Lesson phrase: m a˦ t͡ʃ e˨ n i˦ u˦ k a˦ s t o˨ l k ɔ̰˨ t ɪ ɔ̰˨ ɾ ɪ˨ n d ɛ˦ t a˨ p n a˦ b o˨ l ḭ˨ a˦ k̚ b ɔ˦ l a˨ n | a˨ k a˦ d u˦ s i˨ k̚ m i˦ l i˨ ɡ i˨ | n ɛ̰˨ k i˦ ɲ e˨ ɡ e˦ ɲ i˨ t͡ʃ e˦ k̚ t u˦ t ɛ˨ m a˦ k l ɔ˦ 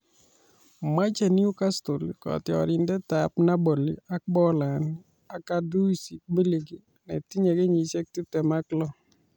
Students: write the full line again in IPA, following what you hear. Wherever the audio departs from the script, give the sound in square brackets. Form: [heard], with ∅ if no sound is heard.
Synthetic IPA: m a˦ t͡ʃ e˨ n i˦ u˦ k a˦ s t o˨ l k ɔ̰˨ t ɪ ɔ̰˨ ɾ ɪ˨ n d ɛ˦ t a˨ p n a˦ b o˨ l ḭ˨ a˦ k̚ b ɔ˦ l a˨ n | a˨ k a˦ d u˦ s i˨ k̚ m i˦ l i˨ ɡ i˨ | n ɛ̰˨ [t] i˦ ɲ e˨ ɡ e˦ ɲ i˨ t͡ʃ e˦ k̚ t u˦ t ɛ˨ m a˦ k l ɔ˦